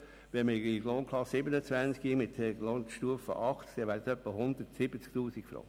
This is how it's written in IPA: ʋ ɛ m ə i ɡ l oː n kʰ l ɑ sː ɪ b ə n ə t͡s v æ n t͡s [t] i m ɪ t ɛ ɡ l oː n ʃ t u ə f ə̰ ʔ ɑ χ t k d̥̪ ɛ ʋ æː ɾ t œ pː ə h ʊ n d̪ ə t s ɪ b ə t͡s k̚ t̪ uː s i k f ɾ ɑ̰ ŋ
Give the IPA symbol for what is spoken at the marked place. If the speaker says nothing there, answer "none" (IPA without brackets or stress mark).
k